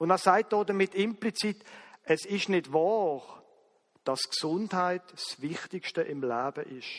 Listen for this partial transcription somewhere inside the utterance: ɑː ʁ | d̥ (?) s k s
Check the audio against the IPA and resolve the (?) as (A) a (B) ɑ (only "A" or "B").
B